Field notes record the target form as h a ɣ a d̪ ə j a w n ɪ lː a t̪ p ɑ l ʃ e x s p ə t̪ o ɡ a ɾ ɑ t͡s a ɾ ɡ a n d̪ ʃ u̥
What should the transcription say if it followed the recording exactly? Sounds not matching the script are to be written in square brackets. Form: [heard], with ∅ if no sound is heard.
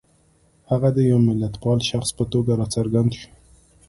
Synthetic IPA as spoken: h a ɣ a d̪ ə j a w [m] ɪ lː a t̪ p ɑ l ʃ [a] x s p ə t̪ o ɡ a ɾ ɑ t͡s a ɾ ɡ a n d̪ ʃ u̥